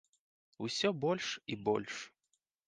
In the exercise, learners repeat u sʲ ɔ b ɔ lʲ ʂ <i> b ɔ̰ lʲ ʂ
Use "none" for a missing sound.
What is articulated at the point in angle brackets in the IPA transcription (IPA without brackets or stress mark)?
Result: i